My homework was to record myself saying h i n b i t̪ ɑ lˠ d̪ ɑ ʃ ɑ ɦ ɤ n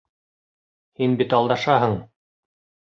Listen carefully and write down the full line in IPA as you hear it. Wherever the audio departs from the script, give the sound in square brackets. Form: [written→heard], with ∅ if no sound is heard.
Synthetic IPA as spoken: h i n b i t̪ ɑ lˠ d̪ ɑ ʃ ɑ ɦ ɤ [n→ɴ]